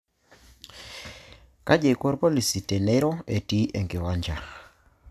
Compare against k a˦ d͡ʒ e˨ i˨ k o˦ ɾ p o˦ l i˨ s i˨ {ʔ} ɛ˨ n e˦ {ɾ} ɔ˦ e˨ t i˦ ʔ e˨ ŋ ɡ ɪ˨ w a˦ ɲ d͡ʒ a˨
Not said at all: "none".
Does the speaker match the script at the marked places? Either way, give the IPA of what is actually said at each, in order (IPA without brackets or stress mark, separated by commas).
t, ɾ